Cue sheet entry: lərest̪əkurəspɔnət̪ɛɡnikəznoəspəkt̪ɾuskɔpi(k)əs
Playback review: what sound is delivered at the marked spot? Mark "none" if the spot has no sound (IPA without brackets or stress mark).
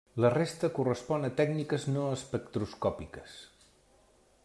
k